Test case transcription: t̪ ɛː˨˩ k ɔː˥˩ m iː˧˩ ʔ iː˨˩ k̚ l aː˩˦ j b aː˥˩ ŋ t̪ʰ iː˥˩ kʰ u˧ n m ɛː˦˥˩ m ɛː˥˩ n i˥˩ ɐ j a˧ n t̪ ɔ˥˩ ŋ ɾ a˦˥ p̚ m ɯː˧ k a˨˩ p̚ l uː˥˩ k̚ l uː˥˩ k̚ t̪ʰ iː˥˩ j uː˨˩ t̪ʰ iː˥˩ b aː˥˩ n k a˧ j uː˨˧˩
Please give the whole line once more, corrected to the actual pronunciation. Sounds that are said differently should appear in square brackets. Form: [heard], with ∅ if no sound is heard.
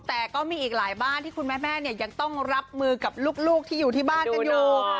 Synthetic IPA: t̪ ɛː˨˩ k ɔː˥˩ m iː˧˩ ʔ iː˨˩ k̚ l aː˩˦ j b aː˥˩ [n] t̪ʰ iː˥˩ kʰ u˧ n m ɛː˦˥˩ m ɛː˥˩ n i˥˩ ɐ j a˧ [ŋ] t̪ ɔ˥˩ ŋ ɾ a˦˥ p̚ m ɯː˧ k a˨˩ p̚ l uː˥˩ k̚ l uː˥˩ k̚ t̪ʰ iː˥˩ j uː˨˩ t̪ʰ iː˥˩ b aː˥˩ n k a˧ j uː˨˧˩